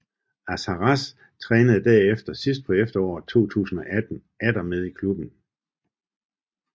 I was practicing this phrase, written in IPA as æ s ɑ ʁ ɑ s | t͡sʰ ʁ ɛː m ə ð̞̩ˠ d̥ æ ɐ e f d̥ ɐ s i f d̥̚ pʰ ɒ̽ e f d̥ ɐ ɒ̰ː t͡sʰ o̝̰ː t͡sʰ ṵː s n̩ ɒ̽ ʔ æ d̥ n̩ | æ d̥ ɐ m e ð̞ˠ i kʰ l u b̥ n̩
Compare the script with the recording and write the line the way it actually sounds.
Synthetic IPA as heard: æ s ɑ ʁ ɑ s | t͡sʰ ʁ ɛː n ə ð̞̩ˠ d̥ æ ɐ e f d̥ ɐ s i s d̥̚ pʰ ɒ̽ e f d̥ ɐ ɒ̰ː t͡sʰ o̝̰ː t͡sʰ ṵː s n̩ ɒ̽ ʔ æ d̥ n̩ | æ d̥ ɐ m e ð̞ˠ i kʰ l u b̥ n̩

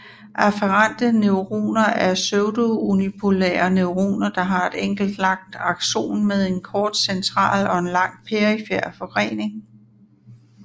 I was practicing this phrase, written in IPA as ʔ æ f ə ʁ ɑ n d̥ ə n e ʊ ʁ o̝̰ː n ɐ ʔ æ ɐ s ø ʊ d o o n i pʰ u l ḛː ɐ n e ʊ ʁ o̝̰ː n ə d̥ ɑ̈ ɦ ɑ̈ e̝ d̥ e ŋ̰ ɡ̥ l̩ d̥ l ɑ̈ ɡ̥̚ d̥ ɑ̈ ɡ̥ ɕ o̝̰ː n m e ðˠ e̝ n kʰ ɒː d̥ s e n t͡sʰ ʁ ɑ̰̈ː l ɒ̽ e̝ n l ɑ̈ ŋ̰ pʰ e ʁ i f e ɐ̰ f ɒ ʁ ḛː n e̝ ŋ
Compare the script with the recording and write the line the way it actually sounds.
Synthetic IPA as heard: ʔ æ f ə ʁ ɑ n d̥ ə n e ʊ ʁ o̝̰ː n ɐ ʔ æ ɐ s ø ʊ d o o n i pʰ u l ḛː ɐ n e ʊ ʁ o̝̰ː n ɐ d̥ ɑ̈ ɦ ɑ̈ e̝ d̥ e ŋ̰ ɡ̥ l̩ d̥ l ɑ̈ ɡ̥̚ d̥ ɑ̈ ɡ̥ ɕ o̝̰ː n m e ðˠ e̝ n kʰ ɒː d̥ s e n t͡sʰ ʁ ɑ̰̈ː l ɒ̽ e̝ n l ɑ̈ ŋ̰ pʰ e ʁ i f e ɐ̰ f ɒ ʁ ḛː n e̝ ŋ

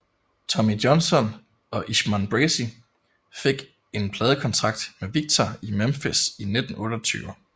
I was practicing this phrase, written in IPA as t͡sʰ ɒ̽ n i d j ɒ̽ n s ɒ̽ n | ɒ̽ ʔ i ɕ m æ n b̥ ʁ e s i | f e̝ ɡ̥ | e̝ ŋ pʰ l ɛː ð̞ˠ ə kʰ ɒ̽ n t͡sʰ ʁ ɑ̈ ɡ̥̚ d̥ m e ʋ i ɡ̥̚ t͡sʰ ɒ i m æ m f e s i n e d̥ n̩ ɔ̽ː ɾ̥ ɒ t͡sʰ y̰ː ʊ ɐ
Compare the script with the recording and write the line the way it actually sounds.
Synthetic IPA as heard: t͡sʰ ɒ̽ m i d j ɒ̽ n s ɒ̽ n | ɒ̽ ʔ i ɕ m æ n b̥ ʁ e s i | f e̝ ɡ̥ | e̝ n pʰ l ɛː ð̞ˠ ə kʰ ɒ̽ n t͡sʰ ʁ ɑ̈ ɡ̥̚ d̥ m e ʋ i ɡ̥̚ t͡sʰ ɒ i m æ m f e s i n e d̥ n̩ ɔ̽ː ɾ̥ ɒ t͡sʰ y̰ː ʊ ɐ

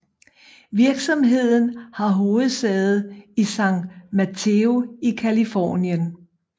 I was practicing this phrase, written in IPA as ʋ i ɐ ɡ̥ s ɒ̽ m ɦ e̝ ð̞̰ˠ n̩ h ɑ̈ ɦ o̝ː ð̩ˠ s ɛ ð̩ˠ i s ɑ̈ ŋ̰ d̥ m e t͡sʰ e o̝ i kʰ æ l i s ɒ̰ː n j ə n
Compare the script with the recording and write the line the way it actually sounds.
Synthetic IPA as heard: ʋ i ɐ ɡ̥ s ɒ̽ m ɦ e̝ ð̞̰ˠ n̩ h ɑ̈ ɦ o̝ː ð̩ˠ s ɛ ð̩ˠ i s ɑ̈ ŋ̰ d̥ m æ t͡sʰ e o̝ i kʰ æ l i f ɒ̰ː n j ə n

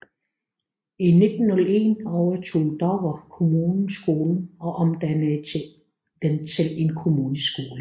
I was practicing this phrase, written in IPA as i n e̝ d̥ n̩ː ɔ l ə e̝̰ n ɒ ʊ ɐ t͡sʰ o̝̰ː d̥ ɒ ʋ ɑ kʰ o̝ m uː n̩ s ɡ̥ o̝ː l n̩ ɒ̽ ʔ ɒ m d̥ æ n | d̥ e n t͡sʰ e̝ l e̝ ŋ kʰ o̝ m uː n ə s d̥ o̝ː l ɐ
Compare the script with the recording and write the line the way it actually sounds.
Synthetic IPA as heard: i n e̝ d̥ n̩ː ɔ l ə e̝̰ n ɒ ʊ ɐ t͡sʰ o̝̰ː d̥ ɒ ʋ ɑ kʰ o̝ m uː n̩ s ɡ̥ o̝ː l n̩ ɒ̽ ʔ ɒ m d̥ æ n | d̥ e n t͡sʰ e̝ l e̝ n kʰ o̝ m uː n ə s ɡ̥ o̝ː l ə

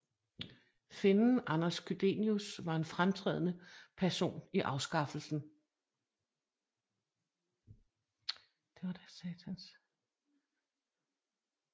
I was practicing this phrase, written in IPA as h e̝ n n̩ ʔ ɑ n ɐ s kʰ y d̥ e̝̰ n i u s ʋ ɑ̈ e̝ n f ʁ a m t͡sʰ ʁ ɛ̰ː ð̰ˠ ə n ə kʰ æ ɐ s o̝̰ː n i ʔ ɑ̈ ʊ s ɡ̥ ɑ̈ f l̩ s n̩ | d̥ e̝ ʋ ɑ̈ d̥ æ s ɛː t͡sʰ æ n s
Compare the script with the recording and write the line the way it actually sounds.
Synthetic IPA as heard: f e̝ n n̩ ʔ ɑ n ɐ s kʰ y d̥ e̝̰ n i u s ʋ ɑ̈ e̝ n f ʁ a m t͡sʰ ʁ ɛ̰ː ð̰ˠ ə n ə pʰ æ ɐ s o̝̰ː n i ʔ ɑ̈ ʊ s ɡ̥ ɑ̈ f l̩ s n̩ | d̥ e̝ ʋ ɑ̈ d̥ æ s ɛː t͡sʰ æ n s

